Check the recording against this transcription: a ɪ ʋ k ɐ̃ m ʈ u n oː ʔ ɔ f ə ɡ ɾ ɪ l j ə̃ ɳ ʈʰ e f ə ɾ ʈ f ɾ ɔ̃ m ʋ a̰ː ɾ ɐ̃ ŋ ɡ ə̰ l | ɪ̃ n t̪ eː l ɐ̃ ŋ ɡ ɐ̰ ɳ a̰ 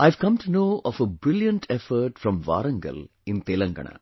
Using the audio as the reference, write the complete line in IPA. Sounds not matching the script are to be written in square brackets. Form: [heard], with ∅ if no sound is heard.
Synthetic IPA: a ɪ ʋ k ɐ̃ m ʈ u n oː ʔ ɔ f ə [b] ɾ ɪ l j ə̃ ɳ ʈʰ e f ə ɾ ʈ f ɾ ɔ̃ m ʋ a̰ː ɾ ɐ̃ ŋ ɡ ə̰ l | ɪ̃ n t̪ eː l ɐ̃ ŋ ɡ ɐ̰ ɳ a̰